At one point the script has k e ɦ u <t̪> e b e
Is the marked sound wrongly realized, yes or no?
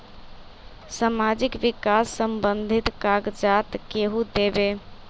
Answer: yes